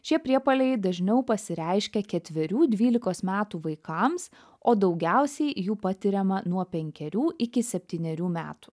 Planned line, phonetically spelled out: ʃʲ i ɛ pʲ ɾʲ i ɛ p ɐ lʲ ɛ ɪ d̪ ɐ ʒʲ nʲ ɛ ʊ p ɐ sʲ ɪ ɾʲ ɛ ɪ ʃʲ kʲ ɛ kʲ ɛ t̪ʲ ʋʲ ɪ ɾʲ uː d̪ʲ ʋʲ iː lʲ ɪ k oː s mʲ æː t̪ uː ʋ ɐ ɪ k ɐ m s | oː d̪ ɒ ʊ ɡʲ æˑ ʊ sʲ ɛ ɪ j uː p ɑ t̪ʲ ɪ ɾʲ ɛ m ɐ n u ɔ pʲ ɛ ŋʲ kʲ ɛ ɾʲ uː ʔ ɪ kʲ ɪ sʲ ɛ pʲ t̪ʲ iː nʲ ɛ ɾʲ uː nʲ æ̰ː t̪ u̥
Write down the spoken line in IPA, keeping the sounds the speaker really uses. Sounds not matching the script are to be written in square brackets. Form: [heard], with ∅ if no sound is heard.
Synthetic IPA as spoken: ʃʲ i ɛ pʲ ɾʲ i ɛ p ɐ lʲ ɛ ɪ d̪ ɐ ʒʲ nʲ ɛ ʊ p ɐ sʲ ɪ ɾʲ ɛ ɪ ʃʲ kʲ ɛ kʲ ɛ t̪ʲ ʋʲ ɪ ɾʲ uː d̪ʲ ʋʲ iː lʲ ɪ k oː s mʲ æː t̪ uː ʋ ɐ ɪ k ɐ m s | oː d̪ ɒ ʊ ɡʲ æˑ ʊ sʲ ɛ ɪ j uː p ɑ t̪ʲ ɪ ɾʲ ɛ m ɐ n u ɔ pʲ ɛ ŋʲ kʲ ɛ ɾʲ uː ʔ ɪ kʲ ɪ sʲ ɛ pʲ t̪ʲ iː nʲ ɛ ɾʲ uː [mʲ] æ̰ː t̪ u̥

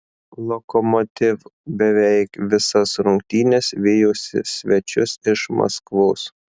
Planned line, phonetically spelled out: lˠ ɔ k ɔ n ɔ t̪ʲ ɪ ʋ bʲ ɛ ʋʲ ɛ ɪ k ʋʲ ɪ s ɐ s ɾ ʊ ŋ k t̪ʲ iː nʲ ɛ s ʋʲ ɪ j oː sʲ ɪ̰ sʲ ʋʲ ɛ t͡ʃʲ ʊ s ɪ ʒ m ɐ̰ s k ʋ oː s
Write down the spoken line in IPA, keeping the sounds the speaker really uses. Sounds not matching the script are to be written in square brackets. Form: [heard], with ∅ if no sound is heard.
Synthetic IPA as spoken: lˠ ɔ k ɔ [m] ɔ t̪ʲ ɪ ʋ bʲ ɛ ʋʲ ɛ ɪ k ʋʲ ɪ s ɐ s ɾ ʊ ŋ k t̪ʲ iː nʲ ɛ s ʋʲ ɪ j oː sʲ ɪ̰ sʲ ʋʲ ɛ t͡ʃʲ ʊ s ɪ [ʃ] m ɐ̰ s k ʋ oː s

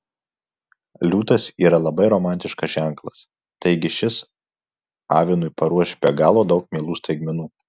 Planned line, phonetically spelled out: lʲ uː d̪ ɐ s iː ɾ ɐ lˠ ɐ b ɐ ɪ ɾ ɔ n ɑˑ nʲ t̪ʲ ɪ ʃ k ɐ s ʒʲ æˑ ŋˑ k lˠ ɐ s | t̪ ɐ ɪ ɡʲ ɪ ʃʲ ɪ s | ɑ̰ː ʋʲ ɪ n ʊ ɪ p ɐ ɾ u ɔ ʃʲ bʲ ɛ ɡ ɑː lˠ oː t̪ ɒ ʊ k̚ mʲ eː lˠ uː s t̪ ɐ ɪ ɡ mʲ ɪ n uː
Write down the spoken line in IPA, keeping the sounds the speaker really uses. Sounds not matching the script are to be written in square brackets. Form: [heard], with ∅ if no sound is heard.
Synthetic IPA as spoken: lʲ uː [t̪] ɐ s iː ɾ ɐ lˠ ɐ b ɐ ɪ ɾ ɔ [m] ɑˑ nʲ t̪ʲ ɪ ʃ k ɐ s ʒʲ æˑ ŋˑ k lˠ ɐ s | t̪ ɐ ɪ ɡʲ ɪ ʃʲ ɪ s | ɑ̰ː ʋʲ ɪ n ʊ ɪ p ɐ ɾ u ɔ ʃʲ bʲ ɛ ɡ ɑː lˠ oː [d̪] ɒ ʊ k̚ mʲ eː lˠ uː s t̪ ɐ ɪ ɡ mʲ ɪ n uː

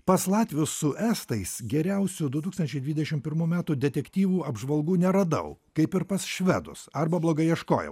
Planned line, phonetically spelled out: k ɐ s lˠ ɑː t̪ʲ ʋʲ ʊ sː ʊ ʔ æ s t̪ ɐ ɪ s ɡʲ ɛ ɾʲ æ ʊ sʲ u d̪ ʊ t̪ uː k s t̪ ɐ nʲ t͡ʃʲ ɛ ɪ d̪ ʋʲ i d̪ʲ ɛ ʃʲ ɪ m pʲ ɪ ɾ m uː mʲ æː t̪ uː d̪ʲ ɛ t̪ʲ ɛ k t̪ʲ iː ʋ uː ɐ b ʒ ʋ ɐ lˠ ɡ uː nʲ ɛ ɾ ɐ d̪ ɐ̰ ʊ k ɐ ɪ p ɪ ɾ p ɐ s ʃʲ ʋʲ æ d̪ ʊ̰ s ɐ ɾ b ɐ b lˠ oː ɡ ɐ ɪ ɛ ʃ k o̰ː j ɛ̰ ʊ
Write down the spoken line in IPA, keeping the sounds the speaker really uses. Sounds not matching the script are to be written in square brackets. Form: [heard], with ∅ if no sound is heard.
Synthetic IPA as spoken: [p] ɐ s lˠ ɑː t̪ʲ ʋʲ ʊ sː ʊ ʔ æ s t̪ ɐ ɪ s ɡʲ ɛ ɾʲ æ ʊ sʲ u d̪ ʊ t̪ uː k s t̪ ɐ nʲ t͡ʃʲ ɛ ɪ d̪ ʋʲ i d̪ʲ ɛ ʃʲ ɪ m pʲ ɪ ɾ m uː mʲ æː t̪ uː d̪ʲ ɛ t̪ʲ ɛ k t̪ʲ iː ʋ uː ɐ b ʒ ʋ ɐ lˠ ɡ uː nʲ ɛ ɾ ɐ d̪ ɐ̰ ʊ k ɐ ɪ p ɪ ɾ p ɐ s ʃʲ ʋʲ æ d̪ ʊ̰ s ɐ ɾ b ɐ b lˠ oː ɡ ɐ ɪ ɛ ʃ k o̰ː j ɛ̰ ʊ

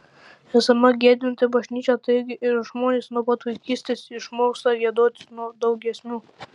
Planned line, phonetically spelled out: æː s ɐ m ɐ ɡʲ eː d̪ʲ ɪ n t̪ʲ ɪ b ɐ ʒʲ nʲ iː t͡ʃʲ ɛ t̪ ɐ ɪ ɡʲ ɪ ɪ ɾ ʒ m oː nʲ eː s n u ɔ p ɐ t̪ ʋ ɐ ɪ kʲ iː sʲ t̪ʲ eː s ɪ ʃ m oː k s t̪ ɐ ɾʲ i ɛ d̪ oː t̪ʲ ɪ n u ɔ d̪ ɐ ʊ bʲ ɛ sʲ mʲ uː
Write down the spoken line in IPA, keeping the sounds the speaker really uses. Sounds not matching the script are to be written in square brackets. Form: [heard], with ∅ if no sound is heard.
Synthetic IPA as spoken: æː s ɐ m ɐ ɡʲ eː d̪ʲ ɪ n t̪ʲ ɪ b ɐ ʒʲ nʲ iː t͡ʃʲ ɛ t̪ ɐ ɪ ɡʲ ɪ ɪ ɾ ʒ m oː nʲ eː s n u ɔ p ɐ t̪ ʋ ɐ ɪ kʲ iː sʲ t̪ʲ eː s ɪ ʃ m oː k s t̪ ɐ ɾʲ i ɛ d̪ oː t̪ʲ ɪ n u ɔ d̪ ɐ ʊ [ɡʲ] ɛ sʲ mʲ uː

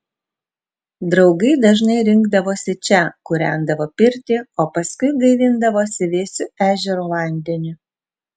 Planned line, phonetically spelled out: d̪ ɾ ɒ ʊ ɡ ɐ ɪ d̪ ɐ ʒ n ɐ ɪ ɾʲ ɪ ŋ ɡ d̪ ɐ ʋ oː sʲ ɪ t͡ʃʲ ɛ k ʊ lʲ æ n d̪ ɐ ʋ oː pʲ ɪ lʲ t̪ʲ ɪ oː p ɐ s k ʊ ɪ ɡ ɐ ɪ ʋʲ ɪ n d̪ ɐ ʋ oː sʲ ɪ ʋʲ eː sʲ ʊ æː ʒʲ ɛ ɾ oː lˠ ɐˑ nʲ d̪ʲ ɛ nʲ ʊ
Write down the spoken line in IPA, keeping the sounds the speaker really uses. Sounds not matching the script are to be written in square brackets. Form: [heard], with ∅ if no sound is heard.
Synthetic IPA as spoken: d̪ ɾ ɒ ʊ ɡ ɐ ɪ d̪ ɐ ʒ n ɐ ɪ ɾʲ ɪ ŋ ɡ d̪ ɐ ʋ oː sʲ ɪ t͡ʃʲ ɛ k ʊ [ɾʲ] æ n d̪ ɐ ʋ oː pʲ ɪ [ɾʲ] t̪ʲ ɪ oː p ɐ s k ʊ ɪ ɡ ɐ ɪ ʋʲ ɪ n d̪ ɐ ʋ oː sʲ ɪ ʋʲ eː sʲ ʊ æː ʒʲ ɛ ɾ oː lˠ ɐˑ nʲ d̪ʲ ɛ nʲ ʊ

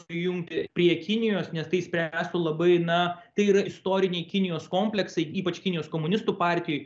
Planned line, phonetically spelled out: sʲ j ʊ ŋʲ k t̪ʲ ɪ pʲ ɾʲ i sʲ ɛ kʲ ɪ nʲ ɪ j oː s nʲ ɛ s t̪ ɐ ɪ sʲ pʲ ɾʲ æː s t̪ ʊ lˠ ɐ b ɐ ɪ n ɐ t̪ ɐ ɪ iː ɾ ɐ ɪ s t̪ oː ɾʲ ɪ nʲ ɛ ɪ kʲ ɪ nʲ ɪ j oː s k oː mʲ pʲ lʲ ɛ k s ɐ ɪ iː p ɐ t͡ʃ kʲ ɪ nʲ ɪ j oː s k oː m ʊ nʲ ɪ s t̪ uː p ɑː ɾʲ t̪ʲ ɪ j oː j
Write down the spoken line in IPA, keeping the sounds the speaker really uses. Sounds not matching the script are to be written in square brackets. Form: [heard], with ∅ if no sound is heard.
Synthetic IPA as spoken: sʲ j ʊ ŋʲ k t̪ʲ ɪ pʲ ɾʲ i [∅] ɛ kʲ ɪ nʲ ɪ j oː s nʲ ɛ s t̪ ɐ ɪ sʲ pʲ ɾʲ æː s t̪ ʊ lˠ ɐ b ɐ ɪ n ɐ t̪ ɐ ɪ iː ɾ ɐ ɪ s t̪ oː ɾʲ ɪ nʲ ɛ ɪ kʲ ɪ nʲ ɪ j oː s k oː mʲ pʲ lʲ ɛ k s ɐ ɪ iː p ɐ t͡ʃ kʲ ɪ nʲ ɪ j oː s k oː m ʊ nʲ ɪ s t̪ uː p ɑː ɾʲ t̪ʲ ɪ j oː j

